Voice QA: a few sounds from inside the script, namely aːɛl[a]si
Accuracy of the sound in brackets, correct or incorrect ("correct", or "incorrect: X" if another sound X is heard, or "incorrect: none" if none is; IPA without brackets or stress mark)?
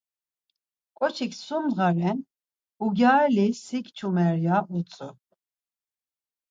incorrect: i